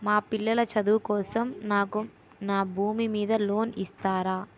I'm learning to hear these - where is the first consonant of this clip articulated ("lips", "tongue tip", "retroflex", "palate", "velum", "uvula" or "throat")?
lips